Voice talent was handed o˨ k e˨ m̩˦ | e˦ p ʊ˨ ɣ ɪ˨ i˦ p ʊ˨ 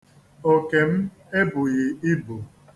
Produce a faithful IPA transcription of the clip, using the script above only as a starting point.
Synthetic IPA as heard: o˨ k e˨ m̩˦ | e˦ b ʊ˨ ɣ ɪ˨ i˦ b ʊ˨